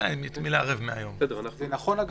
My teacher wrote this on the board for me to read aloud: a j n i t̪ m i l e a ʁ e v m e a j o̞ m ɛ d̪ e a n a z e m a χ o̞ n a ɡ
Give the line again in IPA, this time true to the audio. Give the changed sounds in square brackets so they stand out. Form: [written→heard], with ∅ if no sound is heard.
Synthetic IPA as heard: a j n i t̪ m i l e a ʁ e v m e a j o̞ m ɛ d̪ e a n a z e [m→n] a χ o̞ n a ɡ